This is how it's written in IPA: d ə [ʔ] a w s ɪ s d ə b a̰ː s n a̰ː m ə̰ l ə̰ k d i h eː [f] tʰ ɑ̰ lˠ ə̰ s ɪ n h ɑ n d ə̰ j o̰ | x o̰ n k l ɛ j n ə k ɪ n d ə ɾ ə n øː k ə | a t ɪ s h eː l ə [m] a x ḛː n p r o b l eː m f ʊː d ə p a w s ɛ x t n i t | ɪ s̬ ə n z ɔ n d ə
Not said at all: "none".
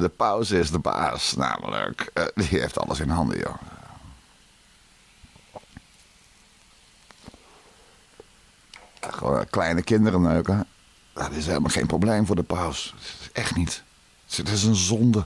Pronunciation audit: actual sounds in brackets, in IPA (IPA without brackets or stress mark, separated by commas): p, f, m